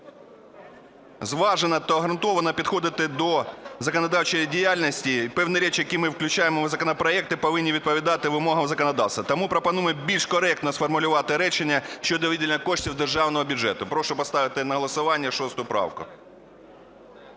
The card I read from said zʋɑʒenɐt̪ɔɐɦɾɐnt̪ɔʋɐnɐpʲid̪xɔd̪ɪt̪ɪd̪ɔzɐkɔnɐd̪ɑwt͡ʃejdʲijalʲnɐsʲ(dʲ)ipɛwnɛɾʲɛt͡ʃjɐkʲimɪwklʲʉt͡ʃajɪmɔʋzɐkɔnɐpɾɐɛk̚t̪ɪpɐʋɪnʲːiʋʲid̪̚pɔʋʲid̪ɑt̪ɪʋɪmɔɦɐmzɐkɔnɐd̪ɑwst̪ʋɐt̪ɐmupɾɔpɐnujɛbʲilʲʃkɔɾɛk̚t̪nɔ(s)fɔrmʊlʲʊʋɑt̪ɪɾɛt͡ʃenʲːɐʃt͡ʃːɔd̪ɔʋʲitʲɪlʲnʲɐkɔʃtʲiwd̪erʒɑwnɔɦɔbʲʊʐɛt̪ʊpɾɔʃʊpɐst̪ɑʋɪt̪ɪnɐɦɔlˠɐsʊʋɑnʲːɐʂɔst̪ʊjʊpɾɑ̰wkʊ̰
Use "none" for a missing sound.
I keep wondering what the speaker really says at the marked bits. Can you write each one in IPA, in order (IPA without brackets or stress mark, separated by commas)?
tʲ, s